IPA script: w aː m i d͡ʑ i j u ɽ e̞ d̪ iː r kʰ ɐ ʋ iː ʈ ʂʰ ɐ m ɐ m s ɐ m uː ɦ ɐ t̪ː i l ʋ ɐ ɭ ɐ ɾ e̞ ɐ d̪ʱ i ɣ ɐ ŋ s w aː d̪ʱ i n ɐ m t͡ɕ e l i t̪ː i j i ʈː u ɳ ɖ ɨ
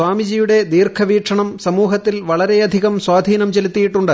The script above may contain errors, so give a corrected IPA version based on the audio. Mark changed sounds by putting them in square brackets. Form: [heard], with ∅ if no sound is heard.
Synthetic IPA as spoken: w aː m i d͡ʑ i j u ɽ e̞ d̪ iː r kʰ ɐ ʋ iː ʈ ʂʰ ɐ [ɳ] ɐ m s ɐ m uː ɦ ɐ t̪ː i l ʋ ɐ ɭ ɐ ɾ e̞ ɐ d̪ʱ i ɣ ɐ [m] s w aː d̪ʱ [iː] n ɐ m t͡ɕ e l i t̪ː i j i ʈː u ɳ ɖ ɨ